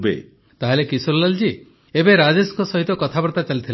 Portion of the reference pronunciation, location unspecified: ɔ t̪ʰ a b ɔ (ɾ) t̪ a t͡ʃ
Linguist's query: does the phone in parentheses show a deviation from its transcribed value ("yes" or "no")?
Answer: no